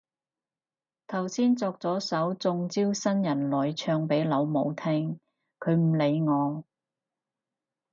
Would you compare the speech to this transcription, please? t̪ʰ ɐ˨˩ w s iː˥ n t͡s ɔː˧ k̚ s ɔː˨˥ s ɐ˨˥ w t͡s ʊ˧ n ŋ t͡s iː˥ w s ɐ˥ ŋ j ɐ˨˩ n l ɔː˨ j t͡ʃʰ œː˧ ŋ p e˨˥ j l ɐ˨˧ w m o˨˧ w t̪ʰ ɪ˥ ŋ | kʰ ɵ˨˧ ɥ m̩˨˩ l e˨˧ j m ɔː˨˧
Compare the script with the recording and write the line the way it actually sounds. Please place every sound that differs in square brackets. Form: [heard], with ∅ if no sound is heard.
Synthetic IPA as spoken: t̪ʰ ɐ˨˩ w s iː˥ n t͡s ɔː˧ k̚ [t͡s] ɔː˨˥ s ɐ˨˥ w t͡s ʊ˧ [∅] ŋ t͡s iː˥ w s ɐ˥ [n] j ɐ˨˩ n l ɔː˨ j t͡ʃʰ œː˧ ŋ p e˨˥ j l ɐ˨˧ w m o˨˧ w t̪ʰ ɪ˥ ŋ | kʰ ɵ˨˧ ɥ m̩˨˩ l e˨˧ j [ŋ] ɔː˨˧